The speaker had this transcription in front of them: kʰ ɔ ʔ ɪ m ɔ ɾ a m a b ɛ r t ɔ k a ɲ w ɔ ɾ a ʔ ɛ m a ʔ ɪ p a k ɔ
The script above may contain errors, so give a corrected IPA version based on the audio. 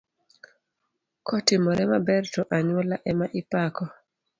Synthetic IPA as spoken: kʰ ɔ t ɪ m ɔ ɾ ɛ m a b ɛ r t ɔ ʔ a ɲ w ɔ l a ʔ ɛ m a ʔ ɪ p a k ɔ